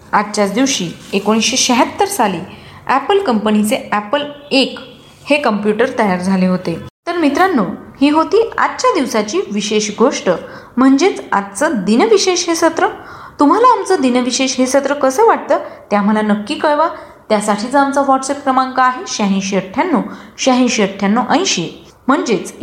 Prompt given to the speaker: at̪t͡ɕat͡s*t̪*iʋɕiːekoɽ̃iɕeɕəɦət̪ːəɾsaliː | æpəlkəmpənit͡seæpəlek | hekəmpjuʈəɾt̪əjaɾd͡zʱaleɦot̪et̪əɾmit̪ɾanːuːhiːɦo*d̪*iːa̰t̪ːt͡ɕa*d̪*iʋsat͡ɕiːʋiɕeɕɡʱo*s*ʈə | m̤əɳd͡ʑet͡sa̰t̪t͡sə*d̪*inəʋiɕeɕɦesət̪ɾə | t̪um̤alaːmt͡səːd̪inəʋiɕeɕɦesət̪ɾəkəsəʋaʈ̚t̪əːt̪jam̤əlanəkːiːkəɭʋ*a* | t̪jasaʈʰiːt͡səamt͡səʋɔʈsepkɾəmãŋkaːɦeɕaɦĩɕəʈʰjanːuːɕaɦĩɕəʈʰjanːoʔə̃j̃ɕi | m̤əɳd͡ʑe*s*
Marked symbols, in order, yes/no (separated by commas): no, no, yes, no, yes, yes, no